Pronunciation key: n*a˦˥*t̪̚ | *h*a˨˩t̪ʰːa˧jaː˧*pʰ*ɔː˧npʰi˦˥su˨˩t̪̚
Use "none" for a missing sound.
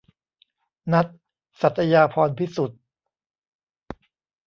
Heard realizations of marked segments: a˦˥, s, pʰ

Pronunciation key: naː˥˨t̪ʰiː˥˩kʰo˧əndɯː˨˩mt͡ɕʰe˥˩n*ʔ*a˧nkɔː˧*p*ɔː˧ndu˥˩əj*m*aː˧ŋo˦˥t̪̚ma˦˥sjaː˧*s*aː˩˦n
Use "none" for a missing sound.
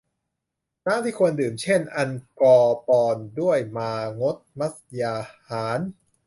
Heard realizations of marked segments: ʔ, p, m, h

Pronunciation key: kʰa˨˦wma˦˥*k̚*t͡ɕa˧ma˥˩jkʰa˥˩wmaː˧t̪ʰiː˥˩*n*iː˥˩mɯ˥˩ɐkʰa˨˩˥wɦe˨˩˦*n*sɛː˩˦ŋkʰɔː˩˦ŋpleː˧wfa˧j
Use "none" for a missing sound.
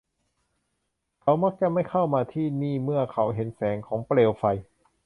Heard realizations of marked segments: k̚, n, n

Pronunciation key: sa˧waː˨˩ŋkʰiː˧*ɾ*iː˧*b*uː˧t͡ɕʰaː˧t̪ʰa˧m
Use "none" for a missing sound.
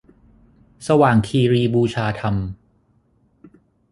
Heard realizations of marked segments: ɾ, b

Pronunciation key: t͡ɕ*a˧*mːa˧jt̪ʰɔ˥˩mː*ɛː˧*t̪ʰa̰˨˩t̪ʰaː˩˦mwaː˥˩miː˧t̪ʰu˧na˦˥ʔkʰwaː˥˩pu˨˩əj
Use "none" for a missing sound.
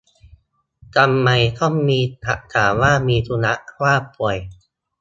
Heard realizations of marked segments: a˧, iː˧

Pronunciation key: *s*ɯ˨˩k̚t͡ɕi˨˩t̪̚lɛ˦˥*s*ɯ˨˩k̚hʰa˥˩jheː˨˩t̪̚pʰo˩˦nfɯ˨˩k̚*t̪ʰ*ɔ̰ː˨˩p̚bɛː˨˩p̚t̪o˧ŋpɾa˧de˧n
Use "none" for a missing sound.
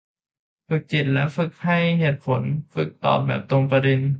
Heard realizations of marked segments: f, f, t̪

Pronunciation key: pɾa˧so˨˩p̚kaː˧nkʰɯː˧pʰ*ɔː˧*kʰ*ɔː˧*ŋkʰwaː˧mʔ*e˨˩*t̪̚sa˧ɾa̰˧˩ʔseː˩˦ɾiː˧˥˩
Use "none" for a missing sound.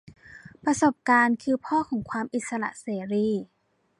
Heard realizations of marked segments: ɔː˥˩, ɔː˩˦, i˨˩

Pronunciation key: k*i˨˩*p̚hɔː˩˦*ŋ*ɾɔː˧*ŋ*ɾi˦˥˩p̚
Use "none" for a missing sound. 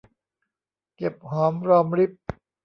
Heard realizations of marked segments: e˨˩, m, m

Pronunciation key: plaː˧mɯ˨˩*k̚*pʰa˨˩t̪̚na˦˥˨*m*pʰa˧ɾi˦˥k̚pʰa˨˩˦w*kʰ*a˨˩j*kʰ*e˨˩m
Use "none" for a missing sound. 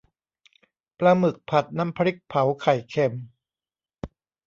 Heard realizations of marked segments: k̚, m, kʰ, kʰ

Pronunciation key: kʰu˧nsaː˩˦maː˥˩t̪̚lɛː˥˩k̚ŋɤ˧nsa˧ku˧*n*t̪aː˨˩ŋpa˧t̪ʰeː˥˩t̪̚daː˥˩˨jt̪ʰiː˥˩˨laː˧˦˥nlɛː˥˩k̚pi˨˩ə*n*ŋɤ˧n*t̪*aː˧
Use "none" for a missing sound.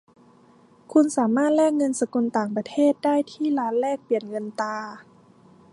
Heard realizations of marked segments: n, n, t̪

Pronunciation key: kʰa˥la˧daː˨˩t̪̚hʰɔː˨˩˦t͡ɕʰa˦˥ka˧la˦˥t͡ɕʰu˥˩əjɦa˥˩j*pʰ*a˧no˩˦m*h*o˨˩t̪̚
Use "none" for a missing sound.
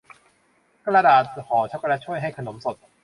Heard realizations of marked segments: kʰ, s

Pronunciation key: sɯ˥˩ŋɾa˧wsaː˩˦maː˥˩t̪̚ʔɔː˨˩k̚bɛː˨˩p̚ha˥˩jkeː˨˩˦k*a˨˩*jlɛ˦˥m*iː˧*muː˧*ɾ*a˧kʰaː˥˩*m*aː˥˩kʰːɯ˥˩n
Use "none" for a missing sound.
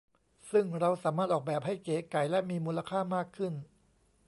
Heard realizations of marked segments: a˨˩, iː˧, l, m

